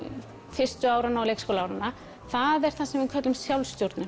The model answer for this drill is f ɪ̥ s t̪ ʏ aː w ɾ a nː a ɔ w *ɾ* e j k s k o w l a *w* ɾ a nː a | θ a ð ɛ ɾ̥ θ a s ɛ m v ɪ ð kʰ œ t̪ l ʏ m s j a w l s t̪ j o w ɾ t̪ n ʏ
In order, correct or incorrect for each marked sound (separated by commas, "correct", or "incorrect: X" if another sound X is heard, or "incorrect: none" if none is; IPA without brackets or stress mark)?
incorrect: l, correct